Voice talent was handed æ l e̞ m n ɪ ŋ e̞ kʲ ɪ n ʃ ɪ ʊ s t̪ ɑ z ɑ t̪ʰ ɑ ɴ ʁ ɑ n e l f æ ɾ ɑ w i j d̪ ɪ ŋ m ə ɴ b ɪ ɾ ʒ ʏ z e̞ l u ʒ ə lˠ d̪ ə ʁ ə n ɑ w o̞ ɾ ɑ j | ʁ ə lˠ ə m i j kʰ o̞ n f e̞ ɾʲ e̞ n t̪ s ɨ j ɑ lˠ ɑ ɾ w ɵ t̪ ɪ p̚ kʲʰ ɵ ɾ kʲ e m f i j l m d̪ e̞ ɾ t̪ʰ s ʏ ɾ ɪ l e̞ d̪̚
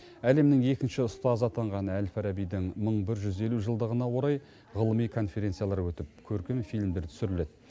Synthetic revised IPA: æ l e̞ m n ɪ ŋ e̞ kʲ ɪ n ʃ ɪ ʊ s t̪ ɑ z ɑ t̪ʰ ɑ ɴ ʁ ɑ n æ l f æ ɾ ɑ b i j d̪ ɪ ŋ m ə ɴ b ɪ ɾ ʒ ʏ z e̞ l u ʒ ə lˠ d̪ ə ʁ ə n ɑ w o̞ ɾ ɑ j | ʁ ə lˠ ə m i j kʰ o̞ n f e̞ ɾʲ e̞ n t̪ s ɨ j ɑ lˠ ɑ ɾ w ɵ t̪ ɪ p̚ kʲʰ ɵ ɾ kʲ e m f i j l m d̪ e̞ ɾ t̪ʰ s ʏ ɾ ɪ l e̞ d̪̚